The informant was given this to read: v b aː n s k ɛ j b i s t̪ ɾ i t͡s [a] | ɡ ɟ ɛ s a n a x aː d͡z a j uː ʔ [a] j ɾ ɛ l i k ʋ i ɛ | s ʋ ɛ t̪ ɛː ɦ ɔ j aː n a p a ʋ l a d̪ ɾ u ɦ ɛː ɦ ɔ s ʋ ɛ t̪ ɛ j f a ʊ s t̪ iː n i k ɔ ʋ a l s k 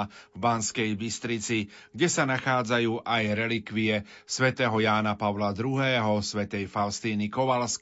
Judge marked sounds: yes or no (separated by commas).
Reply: no, yes